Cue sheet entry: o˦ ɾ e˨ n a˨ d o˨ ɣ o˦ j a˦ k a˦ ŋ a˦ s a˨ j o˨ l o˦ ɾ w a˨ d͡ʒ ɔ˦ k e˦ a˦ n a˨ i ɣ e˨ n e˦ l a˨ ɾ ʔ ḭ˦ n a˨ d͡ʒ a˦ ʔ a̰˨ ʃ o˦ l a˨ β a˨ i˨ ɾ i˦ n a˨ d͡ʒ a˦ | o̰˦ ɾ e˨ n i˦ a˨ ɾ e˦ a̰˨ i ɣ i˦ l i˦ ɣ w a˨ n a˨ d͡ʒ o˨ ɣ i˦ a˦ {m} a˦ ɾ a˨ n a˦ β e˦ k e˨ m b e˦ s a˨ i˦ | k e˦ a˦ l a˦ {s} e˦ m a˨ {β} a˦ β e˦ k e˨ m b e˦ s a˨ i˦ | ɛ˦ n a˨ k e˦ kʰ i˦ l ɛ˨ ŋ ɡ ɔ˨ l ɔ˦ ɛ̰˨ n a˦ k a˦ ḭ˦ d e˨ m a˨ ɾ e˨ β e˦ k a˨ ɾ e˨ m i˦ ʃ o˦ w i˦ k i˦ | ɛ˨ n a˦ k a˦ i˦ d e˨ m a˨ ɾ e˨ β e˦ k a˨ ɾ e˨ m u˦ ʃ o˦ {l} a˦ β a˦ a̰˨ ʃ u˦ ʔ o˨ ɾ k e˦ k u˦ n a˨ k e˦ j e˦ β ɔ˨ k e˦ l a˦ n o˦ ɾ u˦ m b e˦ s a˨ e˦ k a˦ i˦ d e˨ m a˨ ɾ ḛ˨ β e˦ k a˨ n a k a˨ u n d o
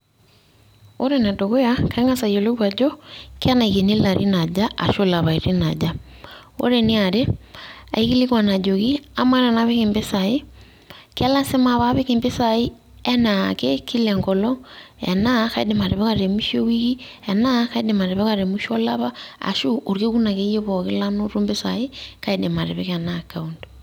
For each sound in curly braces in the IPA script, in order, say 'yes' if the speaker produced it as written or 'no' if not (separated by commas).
yes, yes, yes, yes